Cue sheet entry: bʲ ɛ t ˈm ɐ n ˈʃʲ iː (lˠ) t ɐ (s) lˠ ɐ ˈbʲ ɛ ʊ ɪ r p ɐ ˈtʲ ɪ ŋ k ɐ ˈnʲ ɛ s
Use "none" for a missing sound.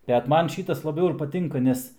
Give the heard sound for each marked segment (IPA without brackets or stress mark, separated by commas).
none, s